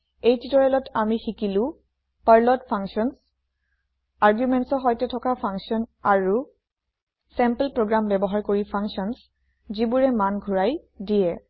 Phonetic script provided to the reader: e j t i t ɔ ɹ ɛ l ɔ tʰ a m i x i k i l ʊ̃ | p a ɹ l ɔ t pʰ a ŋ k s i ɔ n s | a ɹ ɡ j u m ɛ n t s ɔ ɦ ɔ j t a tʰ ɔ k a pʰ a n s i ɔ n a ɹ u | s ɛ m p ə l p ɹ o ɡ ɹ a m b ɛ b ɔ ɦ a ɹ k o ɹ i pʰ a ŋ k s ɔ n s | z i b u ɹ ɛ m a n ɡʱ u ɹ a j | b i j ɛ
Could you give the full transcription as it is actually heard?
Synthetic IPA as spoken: e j t i t ɔ ɹ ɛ l ɔ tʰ a m i x i k i l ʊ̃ | p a ɹ l ɔ t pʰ a ŋ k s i ɔ n s | a ɹ ɡ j u m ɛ n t s ɔ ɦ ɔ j t ɛ tʰ ɔ k a pʰ a ŋ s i ɔ n a ɹ u | s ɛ m p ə l p ɹ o ɡ ɹ a m b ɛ b ɔ ɦ a ɹ k o ɹ i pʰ a ŋ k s ɔ n s | z i b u ɹ ɛ m a n ɡʱ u ɹ a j | d i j ɛ

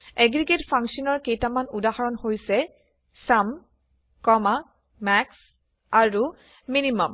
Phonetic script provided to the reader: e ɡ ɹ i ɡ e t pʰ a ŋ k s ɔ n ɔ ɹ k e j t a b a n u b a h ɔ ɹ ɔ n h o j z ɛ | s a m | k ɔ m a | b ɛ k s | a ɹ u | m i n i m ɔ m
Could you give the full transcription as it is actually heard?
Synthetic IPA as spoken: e ɡ ɹ i ɡ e t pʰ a ŋ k s ɔ n ɔ ɹ k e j t a m a n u d a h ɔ ɹ ɔ n h o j s ɛ | s a m | k ɔ m a | m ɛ k s | a ɹ u | m i n i m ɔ m

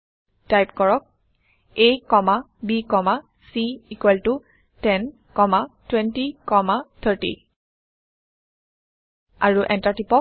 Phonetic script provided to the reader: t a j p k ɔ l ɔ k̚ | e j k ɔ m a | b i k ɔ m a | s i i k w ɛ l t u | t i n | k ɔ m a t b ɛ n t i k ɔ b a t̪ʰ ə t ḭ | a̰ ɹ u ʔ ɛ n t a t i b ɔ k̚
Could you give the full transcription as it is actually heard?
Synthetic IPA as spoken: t a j p k ɔ ɹ ɔ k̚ | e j k ɔ m a | b i k ɔ m a | s i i k w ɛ l t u | t ɛ n | k ɔ m a t w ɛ n t i k ɔ m a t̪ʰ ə t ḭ | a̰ ɹ u ʔ ɛ n t a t i p ɔ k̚

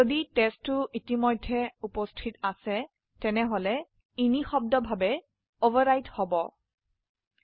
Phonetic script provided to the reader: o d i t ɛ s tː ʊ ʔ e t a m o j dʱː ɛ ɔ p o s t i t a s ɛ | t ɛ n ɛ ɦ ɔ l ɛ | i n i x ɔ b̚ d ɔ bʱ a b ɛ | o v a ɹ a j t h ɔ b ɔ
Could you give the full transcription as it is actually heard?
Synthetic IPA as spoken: o d i t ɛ s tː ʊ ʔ i t i m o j dʱː ɛ u p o s tʰ i t a s ɛ | t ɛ n ɛ ɦ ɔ l ɛ | i n i x ɔ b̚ d ɔ bʱ a b ɛ | o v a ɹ a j t h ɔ b ɔ

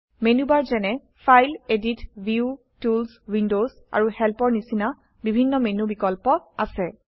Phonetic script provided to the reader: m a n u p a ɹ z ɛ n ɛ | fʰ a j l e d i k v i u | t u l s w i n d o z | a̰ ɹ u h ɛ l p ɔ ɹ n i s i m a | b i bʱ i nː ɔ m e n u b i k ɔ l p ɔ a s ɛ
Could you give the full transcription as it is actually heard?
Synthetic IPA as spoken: m e n u b a ɹ z ɛ n ɛ | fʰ a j l e d i t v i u | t u l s w i n d o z | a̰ ɹ u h ɛ l p ɔ ɹ n i s i n a | b i bʱ i nː ɔ m e n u b i k ɔ l p ɔ a s ɛ

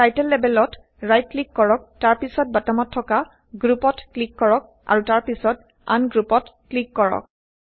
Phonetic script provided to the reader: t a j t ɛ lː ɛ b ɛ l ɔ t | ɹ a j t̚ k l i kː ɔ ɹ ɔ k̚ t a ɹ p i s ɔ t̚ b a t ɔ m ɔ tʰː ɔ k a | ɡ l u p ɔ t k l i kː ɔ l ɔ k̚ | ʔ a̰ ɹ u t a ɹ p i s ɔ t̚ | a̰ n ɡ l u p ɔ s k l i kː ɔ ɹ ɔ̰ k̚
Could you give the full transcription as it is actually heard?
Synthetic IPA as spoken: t a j t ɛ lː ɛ b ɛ l ɔ t | ɹ a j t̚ k l i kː ɔ ɹ ɔ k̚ t a ɹ p i s ɔ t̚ b a t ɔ m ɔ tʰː ɔ k a | ɡ ɹ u p ɔ t k l i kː ɔ ɹ ɔ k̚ | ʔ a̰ ɹ u t a ɹ p i s ɔ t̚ | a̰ n ɡ ɹ u p ɔ t k l i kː ɔ ɹ ɔ̰ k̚

